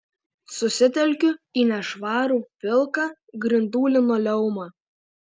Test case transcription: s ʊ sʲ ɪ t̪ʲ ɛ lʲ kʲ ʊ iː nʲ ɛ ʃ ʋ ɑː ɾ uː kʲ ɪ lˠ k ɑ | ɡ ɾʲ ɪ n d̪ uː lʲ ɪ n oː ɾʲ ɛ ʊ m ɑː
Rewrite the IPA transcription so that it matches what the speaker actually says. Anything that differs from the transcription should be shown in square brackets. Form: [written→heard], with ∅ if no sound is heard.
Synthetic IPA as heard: s ʊ sʲ ɪ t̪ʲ ɛ lʲ kʲ ʊ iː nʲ ɛ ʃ ʋ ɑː ɾ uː [kʲ→pʲ] ɪ lˠ k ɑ | ɡ ɾʲ ɪ n d̪ uː lʲ ɪ n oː [ɾʲ→lʲ] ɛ ʊ m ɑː